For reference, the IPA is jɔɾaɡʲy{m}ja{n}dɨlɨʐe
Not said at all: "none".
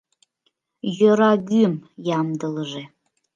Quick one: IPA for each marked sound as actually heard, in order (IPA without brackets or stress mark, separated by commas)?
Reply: m, m